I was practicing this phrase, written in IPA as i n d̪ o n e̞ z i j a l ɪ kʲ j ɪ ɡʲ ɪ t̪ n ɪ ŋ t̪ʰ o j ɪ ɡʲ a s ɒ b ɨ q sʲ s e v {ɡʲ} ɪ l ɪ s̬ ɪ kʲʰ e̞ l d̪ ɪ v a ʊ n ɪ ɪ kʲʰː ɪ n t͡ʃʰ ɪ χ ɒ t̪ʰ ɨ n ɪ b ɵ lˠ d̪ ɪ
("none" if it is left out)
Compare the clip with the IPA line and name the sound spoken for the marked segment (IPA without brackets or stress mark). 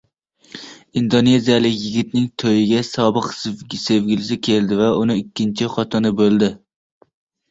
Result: ɡʲ